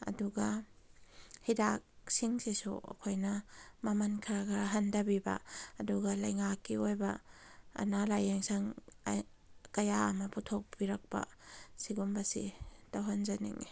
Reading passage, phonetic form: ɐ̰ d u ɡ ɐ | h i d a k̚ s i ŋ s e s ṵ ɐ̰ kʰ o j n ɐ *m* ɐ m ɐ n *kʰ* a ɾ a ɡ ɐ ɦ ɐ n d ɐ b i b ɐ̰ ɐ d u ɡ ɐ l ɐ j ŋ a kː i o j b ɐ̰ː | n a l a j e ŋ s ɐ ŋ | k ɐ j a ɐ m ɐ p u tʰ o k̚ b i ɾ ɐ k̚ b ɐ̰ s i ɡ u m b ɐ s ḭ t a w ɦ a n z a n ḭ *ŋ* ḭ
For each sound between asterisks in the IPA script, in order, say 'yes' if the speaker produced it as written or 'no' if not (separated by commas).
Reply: yes, yes, yes